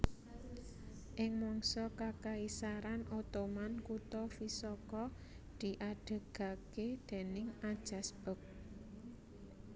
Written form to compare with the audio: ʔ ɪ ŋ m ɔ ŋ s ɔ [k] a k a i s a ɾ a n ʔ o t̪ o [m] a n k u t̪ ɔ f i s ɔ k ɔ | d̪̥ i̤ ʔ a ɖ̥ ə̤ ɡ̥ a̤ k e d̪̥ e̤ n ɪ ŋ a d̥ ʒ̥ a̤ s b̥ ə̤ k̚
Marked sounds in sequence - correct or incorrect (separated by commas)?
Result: correct, correct